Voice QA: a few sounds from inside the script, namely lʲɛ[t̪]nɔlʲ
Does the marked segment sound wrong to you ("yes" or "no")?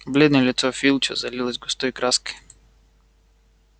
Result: yes